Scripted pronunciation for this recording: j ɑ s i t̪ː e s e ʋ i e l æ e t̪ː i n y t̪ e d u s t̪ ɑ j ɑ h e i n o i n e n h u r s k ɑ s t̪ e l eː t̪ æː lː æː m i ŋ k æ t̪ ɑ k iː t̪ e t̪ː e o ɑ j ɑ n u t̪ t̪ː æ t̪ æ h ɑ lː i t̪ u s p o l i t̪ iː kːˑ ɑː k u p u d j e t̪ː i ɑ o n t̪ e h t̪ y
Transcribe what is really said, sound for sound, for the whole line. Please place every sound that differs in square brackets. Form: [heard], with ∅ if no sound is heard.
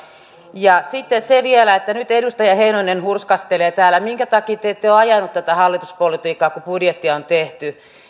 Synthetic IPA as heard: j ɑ s i t̪ː e s e ʋ i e l æ e t̪ː [æ] n y t̪ e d u s t̪ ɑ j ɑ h e i n o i n e n h u r s k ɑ s t̪ e l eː t̪ æː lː [æ] m i ŋ k æ t̪ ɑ k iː t̪ e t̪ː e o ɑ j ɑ n u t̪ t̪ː æ t̪ æ h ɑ lː i t̪ u s p o l i t̪ iː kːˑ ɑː k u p u d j e t̪ː i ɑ o n t̪ e h t̪ y